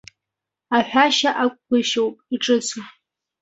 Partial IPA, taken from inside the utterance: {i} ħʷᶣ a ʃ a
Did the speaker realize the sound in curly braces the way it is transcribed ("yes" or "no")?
no